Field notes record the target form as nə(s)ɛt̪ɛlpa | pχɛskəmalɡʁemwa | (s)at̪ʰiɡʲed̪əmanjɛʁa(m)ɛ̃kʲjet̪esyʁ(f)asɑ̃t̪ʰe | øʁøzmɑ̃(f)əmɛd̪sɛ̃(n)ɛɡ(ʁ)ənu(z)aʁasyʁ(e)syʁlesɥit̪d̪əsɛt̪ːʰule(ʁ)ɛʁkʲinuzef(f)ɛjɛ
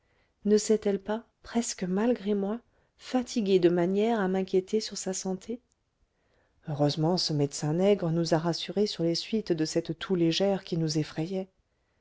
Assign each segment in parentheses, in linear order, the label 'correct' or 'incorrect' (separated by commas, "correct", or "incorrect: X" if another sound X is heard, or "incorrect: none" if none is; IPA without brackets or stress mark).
correct, incorrect: f, correct, incorrect: s, incorrect: s, correct, correct, correct, correct, incorrect: ʒ, incorrect: χ